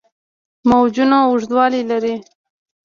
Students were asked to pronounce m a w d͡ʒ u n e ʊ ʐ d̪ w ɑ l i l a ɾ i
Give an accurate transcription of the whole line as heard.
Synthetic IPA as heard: m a w d͡ʒ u n a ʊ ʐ d̪ w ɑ l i l a ɾ i